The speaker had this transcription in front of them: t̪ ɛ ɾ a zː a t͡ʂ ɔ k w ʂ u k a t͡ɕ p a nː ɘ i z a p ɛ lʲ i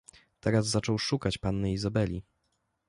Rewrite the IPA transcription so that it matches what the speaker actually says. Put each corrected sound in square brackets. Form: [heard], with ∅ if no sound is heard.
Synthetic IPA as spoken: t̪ ɛ ɾ a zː a t͡ʂ ɔ [∅] w ʂ u k a t͡ɕ p a nː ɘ i z a [b] ɛ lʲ i